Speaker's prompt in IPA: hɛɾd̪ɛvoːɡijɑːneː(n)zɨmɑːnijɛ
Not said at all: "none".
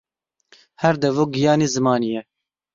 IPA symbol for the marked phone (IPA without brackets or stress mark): none